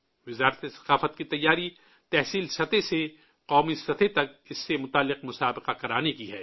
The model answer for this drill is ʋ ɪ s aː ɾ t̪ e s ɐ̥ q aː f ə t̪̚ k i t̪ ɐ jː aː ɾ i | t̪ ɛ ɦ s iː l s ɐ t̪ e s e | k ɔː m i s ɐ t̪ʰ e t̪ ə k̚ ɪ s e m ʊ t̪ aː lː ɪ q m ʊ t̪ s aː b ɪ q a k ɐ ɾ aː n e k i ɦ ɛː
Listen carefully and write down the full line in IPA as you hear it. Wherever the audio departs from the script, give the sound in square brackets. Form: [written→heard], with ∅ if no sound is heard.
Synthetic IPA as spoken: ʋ ɪ [s→z] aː ɾ t̪ e s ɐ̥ q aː f ə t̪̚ k i t̪ ɐ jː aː ɾ i | t̪ ɛ ɦ s iː l s ɐ t̪ e s e | [k→q] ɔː m i s ɐ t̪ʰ e t̪ [ə→ɐ] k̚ ɪ [s→sː] e m ʊ t̪ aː lː ɪ q m ʊ [t̪→∅] s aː b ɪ q a k ɐ ɾ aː n e k i ɦ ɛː

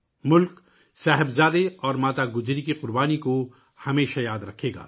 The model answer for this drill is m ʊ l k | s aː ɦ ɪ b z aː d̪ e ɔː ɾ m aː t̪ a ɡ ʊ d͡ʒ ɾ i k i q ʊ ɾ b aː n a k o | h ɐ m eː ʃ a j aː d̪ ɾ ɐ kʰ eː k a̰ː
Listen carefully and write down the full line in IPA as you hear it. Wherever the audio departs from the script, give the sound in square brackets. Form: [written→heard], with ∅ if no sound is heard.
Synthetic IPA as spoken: m ʊ l k | s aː ɦ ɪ b z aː d̪ e ɔː ɾ m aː t̪ a ɡ ʊ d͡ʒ ɾ i k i q ʊ ɾ b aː n [a→i] k o | h ɐ m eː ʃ a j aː d̪ ɾ ɐ kʰ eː [k→ɡ] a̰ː

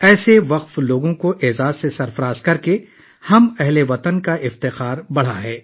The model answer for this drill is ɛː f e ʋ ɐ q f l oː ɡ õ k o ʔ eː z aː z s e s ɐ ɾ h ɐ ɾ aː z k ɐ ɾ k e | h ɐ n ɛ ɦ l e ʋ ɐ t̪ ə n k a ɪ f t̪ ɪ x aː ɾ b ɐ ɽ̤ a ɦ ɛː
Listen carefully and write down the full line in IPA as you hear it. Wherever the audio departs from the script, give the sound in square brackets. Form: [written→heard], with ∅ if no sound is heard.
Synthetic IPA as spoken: ɛː [f→s] e ʋ ɐ q f l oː ɡ õ k o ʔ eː z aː z s e s ɐ ɾ [h→f] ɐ ɾ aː z k ɐ ɾ k e | h ɐ [n→m] ɛ ɦ l e ʋ ɐ t̪ ə n k a ɪ f t̪ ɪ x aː ɾ b ɐ ɽ̤ a ɦ ɛː

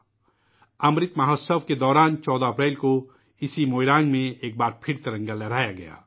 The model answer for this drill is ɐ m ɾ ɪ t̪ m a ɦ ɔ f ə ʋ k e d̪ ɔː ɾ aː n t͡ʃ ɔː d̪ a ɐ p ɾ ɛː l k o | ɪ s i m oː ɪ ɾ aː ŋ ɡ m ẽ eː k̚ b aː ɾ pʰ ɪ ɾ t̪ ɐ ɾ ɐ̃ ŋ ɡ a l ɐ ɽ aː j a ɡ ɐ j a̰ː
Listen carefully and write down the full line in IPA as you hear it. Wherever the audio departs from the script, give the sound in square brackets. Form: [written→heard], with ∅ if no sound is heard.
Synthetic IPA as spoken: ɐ m ɾ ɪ t̪ m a ɦ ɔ [f→s] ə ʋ k e d̪ ɔː ɾ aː n t͡ʃ ɔː d̪ a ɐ p ɾ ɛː l k o | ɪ s i m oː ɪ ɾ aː ŋ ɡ m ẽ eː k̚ b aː ɾ pʰ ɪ ɾ t̪ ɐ ɾ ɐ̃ ŋ ɡ a l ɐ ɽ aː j a ɡ ɐ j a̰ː

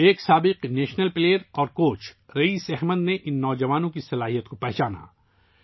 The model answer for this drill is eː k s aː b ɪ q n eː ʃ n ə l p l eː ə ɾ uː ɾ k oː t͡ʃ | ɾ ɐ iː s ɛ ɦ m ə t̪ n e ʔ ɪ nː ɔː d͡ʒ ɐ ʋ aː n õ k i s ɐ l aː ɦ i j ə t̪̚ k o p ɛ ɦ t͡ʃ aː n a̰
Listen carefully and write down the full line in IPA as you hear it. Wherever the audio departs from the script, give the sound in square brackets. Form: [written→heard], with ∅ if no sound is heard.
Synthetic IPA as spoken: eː k s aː b ɪ q n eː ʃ n ə l p l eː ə ɾ [uː→ɔː] ɾ k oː t͡ʃ | ɾ ɐ iː s ɛ ɦ m ə [t̪→d̪] n e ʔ ɪ nː ɔː d͡ʒ ɐ ʋ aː n õ k i s ɐ l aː ɦ i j ə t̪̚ k o p ɛ ɦ t͡ʃ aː n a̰

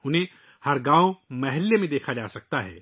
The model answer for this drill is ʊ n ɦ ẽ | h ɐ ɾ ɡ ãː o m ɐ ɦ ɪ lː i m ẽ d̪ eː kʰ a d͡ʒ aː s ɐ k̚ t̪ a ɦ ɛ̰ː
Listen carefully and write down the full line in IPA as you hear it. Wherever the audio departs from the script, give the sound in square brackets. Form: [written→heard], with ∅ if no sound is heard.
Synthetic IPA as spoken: ʊ n ɦ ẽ | h ɐ ɾ ɡ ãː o m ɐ ɦ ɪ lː [i→e] m ẽ d̪ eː kʰ a d͡ʒ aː s ɐ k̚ t̪ a ɦ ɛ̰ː

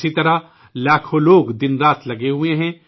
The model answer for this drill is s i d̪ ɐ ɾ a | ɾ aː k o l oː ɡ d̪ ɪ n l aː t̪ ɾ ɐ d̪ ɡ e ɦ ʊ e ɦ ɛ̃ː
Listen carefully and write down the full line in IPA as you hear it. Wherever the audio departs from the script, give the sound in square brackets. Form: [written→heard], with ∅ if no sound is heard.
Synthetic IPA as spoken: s i [d̪→t̪] ɐ ɾ a | [ɾ→l] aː [k→kʰ] o l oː ɡ d̪ ɪ n [l→ɾ] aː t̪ [ɾ→l] ɐ [d̪→∅] ɡ e ɦ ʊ e ɦ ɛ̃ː

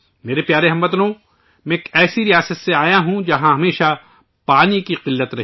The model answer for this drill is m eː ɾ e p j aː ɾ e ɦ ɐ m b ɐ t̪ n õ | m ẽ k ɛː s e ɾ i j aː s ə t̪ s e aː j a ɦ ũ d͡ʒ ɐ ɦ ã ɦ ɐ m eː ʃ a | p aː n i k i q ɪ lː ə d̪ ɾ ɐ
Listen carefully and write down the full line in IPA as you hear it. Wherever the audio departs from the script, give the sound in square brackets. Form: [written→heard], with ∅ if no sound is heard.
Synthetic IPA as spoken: m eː ɾ e p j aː ɾ e ɦ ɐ m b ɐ t̪ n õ | m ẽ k ɛː s [e→i] ɾ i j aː s ə t̪ s e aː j a ɦ ũ d͡ʒ ɐ ɦ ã ɦ ɐ m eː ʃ a | p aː n i k i q ɪ lː ə [d̪→t̪] ɾ ɐ

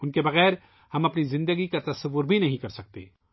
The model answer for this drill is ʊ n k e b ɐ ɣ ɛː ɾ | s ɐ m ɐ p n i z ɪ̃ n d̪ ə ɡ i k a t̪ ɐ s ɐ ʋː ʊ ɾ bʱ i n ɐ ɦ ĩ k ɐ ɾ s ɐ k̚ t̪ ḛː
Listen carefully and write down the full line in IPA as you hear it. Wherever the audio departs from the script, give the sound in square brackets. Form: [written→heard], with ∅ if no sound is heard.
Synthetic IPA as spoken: ʊ n k e b ɐ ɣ ɛː ɾ | [s→h] ɐ m ɐ p n i z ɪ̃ n d̪ ə ɡ i k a t̪ ɐ s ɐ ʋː ʊ ɾ bʱ i n ɐ ɦ ĩ k ɐ ɾ s ɐ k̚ t̪ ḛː

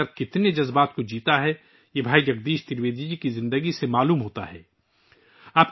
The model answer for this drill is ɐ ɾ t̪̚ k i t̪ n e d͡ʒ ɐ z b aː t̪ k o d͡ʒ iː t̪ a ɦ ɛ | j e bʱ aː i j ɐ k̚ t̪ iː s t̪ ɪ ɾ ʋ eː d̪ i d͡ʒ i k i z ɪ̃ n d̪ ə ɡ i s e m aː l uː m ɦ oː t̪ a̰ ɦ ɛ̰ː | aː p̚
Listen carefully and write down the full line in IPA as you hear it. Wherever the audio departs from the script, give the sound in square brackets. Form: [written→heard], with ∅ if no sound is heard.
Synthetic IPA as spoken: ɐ ɾ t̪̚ k [i→ɪ] t̪ n e d͡ʒ ɐ z b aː t̪ k o d͡ʒ iː t̪ a ɦ ɛ | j e bʱ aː i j ɐ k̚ [t̪→d̪] iː [s→ʃ] t̪ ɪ ɾ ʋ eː d̪ i d͡ʒ i k i z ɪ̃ n d̪ ə ɡ i s e m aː l uː m ɦ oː t̪ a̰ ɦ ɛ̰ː | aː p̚

